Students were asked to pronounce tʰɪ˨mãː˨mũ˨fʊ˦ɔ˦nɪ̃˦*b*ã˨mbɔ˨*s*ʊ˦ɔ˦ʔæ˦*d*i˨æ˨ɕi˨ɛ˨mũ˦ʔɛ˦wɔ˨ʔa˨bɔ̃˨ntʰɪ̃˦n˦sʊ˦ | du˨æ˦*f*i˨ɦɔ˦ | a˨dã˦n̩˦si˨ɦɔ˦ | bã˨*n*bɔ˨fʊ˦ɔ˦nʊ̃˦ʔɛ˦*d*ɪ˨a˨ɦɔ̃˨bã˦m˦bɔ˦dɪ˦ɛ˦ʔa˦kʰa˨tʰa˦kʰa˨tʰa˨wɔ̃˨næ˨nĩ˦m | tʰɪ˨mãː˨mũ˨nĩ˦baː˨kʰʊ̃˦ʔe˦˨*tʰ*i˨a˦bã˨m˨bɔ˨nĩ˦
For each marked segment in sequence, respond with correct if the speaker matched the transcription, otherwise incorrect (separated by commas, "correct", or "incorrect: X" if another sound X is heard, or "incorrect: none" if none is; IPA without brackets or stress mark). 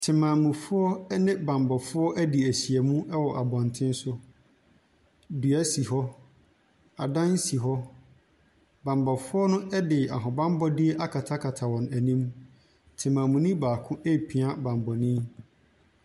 correct, incorrect: f, correct, incorrect: s, incorrect: m, correct, incorrect: pʰ